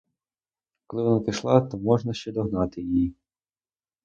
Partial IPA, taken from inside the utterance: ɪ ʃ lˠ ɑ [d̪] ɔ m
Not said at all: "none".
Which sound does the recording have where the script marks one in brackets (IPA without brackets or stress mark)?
t̪